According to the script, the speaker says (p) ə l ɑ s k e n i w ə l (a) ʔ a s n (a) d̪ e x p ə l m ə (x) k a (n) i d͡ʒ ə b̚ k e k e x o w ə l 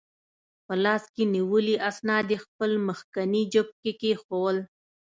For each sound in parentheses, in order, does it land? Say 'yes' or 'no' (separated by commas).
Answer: yes, no, no, yes, yes